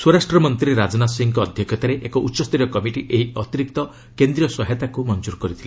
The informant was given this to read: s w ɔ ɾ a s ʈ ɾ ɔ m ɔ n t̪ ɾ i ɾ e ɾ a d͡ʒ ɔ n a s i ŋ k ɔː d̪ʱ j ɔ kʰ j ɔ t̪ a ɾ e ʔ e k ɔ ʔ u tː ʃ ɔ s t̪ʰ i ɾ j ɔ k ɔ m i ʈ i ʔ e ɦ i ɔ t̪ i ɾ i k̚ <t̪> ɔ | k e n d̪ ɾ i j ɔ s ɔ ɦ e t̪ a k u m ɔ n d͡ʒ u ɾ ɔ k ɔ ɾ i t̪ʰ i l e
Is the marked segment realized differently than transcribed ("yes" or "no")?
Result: no